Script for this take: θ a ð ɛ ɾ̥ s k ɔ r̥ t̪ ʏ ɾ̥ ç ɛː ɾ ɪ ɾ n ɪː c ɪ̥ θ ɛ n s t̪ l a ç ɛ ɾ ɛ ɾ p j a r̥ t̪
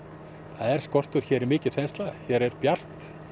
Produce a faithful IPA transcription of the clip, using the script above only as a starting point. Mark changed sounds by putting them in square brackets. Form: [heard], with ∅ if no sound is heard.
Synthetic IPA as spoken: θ a ð ɛ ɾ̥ s k ɔ r̥ t̪ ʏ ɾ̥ ç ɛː ɾ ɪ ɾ [m] ɪː c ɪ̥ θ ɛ n s t̪ l a ç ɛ ɾ ɛ ɾ p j a r̥ t̪